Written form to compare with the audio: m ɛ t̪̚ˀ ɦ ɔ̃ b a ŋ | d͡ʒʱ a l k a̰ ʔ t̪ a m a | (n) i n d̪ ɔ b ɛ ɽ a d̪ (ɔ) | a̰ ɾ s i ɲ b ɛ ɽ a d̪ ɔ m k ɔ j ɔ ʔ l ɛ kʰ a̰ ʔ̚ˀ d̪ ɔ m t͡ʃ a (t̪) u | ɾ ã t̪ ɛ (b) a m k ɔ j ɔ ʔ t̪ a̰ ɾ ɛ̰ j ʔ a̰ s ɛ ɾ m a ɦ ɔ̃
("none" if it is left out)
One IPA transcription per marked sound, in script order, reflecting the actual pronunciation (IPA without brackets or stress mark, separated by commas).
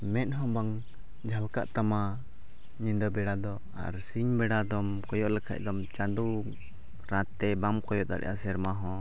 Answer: ɲ, ɔ, d̪, b